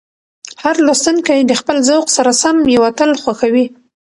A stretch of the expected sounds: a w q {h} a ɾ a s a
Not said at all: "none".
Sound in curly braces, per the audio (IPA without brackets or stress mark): s